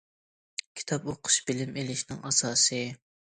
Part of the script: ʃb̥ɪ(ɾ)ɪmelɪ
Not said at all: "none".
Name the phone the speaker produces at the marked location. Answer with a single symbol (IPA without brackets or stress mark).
l